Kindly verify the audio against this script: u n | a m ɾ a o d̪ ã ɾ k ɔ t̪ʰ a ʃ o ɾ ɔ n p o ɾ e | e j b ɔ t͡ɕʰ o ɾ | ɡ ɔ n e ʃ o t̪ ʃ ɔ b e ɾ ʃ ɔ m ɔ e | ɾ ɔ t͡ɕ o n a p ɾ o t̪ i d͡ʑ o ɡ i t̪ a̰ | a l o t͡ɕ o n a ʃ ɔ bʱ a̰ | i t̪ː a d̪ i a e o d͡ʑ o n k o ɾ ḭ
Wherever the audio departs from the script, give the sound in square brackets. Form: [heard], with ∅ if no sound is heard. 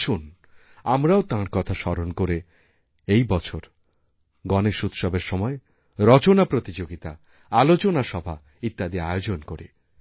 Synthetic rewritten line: u n | a m ɾ a o [t̪] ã ɾ k ɔ t̪ʰ a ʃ [ɔ] ɾ [o] n [k] o ɾ e | e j b ɔ t͡ɕʰ o ɾ | ɡ ɔ n e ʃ [u] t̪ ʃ ɔ b e ɾ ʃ ɔ m ɔ e | ɾ ɔ t͡ɕ o n a p ɾ o t̪ i d͡ʑ o ɡ i t̪ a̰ | a l o t͡ɕ o n a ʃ ɔ bʱ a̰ | i t̪ː a d̪ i a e o d͡ʑ o n k o ɾ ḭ